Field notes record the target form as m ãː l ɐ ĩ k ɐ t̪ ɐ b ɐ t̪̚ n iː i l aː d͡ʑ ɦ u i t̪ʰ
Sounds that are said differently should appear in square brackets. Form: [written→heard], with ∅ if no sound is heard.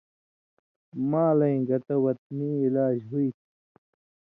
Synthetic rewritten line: m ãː l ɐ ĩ [k→ɡ] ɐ t̪ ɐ [b→w] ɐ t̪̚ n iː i l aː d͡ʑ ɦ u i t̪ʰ